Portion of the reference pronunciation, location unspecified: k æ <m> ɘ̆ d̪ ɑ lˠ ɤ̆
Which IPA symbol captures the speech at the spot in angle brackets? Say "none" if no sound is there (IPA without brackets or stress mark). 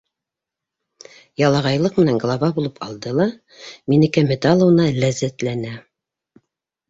m